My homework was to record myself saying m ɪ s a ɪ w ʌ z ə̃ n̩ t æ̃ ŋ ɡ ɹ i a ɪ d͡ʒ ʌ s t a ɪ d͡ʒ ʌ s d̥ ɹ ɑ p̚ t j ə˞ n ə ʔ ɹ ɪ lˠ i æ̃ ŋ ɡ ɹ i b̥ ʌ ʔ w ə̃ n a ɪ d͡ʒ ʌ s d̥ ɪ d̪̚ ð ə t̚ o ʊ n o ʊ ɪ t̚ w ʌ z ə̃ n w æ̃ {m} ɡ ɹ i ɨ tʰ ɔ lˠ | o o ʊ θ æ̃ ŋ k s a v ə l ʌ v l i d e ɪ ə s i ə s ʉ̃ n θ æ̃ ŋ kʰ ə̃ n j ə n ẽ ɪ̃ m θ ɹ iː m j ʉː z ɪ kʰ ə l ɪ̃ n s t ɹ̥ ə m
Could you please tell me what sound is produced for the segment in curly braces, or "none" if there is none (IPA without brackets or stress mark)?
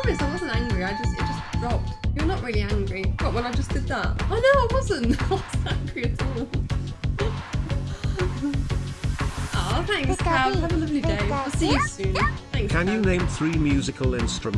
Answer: ŋ